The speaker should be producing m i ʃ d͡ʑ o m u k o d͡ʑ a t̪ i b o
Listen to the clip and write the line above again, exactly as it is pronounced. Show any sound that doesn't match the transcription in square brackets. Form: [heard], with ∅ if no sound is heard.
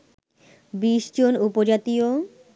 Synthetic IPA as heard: [b] i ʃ d͡ʑ o [n] u [p] o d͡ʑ a t̪ i [∅] o

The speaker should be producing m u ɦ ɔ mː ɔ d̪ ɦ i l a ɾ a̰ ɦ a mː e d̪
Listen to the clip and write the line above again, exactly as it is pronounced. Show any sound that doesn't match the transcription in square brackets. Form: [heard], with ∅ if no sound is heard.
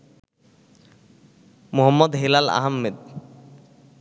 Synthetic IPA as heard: m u ɦ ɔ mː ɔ d̪ ɦ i l a [l] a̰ ɦ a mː e d̪

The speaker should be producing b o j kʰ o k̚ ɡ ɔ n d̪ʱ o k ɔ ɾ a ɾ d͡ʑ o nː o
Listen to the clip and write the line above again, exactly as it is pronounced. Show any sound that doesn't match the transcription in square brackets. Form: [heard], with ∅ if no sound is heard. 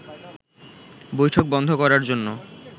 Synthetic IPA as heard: b o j [ʈʰ] o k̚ [b] ɔ n d̪ʱ o k ɔ ɾ a ɾ d͡ʑ o nː o

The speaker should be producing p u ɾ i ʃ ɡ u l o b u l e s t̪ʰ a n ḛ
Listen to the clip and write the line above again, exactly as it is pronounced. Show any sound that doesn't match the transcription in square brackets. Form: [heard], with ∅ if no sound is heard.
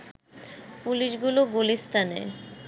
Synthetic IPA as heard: p u [l] i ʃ ɡ u l o [ɡ] u l [i] s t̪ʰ a n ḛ

